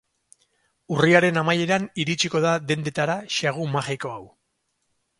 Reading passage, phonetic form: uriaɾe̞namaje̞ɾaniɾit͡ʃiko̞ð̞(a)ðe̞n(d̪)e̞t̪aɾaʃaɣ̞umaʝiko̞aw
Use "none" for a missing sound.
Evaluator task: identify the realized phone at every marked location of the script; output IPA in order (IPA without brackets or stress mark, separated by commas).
a, d̪